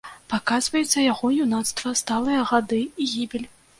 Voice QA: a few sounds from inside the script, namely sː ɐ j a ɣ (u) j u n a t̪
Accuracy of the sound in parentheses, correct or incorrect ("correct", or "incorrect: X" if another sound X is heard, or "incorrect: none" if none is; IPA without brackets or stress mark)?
incorrect: ɔ